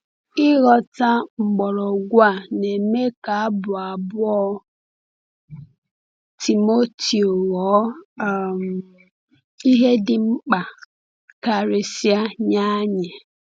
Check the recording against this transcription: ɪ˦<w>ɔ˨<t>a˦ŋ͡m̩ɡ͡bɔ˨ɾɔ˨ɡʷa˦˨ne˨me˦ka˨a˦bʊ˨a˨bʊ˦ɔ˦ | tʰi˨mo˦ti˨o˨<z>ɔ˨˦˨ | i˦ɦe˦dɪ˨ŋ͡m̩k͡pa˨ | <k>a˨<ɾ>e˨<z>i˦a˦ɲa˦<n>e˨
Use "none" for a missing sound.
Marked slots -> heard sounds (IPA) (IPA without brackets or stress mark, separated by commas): ɣ, t, ɣ, k, ɾ, s, ɲ